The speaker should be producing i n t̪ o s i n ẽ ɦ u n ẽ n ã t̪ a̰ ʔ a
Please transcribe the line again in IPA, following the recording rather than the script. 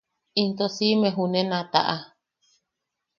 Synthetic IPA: i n t̪ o s i m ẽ ɦ u n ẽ n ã t̪ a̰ ʔ a